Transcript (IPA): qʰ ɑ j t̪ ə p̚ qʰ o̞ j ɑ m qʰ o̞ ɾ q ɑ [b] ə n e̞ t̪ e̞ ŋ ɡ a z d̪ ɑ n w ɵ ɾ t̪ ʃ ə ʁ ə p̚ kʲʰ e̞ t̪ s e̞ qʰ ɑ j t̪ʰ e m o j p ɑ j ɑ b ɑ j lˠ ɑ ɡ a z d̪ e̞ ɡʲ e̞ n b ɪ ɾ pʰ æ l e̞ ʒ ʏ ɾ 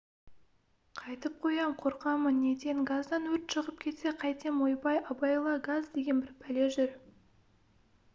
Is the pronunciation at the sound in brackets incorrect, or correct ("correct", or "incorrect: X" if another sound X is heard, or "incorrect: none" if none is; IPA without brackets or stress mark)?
incorrect: m